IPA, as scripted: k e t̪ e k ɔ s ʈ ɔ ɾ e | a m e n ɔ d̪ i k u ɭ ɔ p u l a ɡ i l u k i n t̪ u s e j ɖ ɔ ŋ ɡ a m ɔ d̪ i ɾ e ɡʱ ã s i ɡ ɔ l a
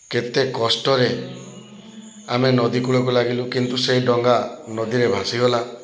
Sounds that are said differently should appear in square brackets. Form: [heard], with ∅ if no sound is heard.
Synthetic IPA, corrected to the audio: k e t̪ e k ɔ s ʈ ɔ ɾ e | a m e n ɔ d̪ i k u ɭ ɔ [k] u l a ɡ i l u k i n t̪ u s e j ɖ ɔ ŋ ɡ a [n] ɔ d̪ i ɾ e [bʱ] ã s i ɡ ɔ l a